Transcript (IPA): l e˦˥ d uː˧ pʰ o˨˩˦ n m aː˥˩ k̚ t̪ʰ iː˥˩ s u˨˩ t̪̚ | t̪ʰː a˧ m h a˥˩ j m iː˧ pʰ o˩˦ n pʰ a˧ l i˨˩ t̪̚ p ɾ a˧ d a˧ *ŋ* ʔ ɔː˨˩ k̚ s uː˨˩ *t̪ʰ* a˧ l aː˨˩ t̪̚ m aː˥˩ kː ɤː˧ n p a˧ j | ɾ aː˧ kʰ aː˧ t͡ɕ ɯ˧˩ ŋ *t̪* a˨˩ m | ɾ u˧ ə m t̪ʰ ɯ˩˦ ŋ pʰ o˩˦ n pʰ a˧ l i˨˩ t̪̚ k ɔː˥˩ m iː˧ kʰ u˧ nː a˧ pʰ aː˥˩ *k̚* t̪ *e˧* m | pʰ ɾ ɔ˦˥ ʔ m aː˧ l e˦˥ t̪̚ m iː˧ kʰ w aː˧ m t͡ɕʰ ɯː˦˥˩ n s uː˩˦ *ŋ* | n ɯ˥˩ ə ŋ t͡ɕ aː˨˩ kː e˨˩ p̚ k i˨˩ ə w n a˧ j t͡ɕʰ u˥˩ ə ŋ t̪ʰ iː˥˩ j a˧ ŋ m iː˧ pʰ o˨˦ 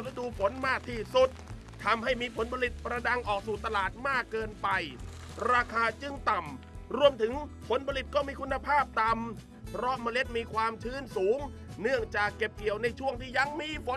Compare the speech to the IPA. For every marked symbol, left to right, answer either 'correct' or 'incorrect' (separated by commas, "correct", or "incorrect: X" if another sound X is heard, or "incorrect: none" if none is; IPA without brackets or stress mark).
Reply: correct, incorrect: t̪, correct, incorrect: p̚, incorrect: a˧, correct